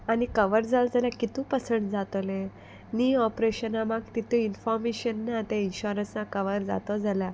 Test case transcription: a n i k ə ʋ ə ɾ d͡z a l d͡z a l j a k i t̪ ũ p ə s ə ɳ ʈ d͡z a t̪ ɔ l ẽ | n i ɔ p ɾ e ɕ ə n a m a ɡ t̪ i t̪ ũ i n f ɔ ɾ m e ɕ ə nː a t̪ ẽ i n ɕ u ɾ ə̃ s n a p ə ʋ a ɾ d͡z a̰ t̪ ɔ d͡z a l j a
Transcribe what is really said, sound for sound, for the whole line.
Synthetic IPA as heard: a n i k ə ʋ ə ɾ d͡z a l d͡z a l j a k i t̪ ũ p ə s ə ɳ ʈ d͡z a t̪ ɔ l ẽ | n i ɔ p ɾ e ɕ ə n a m a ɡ t̪ i t̪ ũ i n f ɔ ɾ m e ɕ ə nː a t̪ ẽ i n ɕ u ɾ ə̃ s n a k ə ʋ ə ɾ d͡z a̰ t̪ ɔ d͡z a l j a